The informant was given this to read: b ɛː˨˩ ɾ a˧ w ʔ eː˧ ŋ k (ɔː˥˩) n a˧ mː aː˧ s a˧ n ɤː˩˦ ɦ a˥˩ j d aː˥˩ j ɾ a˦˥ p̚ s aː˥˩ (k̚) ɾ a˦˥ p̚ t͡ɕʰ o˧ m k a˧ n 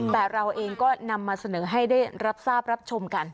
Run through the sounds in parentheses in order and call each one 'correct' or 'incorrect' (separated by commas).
correct, incorrect